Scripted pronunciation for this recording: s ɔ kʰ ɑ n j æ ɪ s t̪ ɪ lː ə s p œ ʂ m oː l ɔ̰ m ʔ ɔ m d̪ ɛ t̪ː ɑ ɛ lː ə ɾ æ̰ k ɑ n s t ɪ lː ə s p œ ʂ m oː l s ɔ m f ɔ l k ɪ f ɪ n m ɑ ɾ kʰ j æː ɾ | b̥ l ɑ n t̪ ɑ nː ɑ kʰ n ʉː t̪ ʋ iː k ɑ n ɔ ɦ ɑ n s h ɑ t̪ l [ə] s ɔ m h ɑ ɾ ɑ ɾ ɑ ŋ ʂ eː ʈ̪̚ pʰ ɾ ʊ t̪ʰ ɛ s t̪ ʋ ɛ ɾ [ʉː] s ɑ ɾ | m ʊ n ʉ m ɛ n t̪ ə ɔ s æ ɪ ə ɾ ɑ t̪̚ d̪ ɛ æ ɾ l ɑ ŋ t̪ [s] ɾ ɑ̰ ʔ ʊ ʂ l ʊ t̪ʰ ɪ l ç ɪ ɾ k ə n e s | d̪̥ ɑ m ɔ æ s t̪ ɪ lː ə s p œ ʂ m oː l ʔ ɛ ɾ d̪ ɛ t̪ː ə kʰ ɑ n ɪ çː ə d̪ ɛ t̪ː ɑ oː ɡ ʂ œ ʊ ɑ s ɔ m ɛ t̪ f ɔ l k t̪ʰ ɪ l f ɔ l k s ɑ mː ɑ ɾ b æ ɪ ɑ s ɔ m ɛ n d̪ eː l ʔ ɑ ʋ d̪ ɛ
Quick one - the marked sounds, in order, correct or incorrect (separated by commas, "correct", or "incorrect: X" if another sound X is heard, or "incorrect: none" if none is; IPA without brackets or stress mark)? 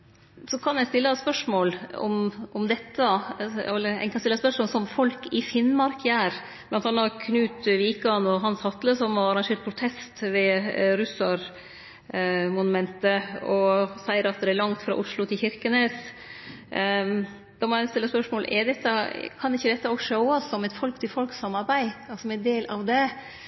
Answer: correct, incorrect: ʉ, incorrect: f